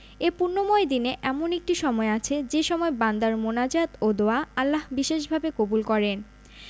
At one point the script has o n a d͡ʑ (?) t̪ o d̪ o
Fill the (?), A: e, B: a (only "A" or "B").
B